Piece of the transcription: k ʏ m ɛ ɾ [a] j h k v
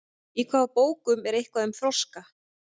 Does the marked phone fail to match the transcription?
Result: yes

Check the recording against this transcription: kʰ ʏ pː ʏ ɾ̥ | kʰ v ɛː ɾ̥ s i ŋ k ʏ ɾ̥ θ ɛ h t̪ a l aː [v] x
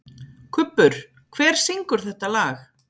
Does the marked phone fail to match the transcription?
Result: yes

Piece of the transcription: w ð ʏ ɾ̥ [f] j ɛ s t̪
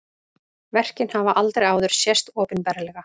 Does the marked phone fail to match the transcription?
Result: yes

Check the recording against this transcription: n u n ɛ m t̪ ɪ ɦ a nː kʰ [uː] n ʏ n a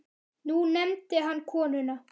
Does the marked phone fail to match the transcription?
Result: yes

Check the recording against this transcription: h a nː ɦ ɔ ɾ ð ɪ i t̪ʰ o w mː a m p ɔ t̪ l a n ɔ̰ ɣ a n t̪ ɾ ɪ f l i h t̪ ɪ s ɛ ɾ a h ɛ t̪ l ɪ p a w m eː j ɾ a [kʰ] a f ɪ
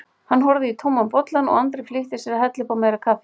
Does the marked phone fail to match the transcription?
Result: no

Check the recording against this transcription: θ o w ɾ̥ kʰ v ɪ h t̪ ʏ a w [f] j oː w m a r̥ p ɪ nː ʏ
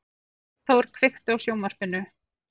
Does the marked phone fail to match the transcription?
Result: yes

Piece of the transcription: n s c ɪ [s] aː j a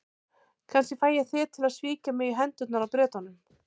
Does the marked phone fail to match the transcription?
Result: yes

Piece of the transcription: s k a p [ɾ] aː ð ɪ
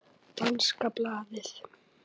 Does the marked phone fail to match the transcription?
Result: yes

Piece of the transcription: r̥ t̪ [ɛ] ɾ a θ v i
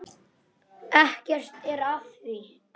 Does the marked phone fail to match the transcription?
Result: no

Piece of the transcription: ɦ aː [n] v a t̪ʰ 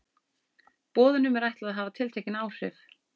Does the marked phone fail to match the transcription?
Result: yes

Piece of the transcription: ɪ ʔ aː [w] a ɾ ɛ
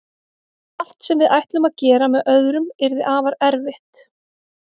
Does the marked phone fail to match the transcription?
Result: yes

